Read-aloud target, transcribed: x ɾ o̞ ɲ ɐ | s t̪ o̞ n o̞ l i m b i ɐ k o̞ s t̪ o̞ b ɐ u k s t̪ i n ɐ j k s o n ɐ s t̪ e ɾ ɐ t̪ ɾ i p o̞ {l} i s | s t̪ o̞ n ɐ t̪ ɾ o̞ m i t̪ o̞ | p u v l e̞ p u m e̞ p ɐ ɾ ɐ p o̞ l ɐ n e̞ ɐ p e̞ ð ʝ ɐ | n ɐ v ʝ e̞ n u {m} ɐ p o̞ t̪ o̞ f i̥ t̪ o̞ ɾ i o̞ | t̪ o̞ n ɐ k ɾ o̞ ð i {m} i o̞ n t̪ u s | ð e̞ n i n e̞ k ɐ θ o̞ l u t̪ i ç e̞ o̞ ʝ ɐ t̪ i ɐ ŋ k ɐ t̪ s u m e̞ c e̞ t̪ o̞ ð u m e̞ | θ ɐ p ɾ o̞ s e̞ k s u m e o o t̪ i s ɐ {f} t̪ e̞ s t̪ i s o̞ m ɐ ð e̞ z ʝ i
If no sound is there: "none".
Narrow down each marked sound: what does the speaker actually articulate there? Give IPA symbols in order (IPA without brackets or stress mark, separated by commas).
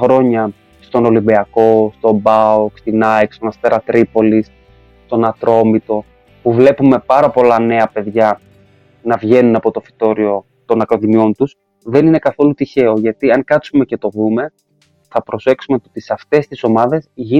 l, n, m, f